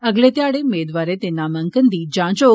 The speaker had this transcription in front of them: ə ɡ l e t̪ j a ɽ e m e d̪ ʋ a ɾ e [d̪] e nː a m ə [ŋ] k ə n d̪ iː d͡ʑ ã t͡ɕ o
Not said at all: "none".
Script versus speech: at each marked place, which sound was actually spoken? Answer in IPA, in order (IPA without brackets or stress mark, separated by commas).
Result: t̪, ŋ